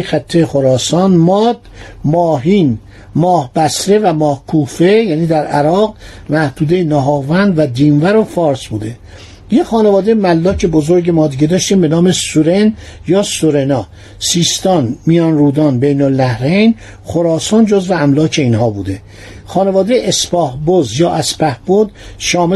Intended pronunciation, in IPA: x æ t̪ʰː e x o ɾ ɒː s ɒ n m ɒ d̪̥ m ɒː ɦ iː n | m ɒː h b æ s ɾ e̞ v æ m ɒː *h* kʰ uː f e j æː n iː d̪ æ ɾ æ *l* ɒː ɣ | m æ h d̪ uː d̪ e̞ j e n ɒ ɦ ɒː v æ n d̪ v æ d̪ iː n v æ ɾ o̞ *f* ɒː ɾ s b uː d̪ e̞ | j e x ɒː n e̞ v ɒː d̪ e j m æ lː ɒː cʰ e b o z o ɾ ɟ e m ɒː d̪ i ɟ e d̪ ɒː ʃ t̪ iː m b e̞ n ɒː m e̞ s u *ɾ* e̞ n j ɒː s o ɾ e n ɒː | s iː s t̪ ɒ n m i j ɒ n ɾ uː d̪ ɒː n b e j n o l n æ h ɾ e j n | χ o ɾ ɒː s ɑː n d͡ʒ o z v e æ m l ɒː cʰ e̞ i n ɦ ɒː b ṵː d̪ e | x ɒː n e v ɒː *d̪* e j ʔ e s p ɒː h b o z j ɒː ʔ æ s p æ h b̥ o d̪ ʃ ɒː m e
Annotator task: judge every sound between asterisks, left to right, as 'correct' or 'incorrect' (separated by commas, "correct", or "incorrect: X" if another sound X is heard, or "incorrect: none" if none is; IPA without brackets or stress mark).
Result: correct, incorrect: ɾ, correct, correct, correct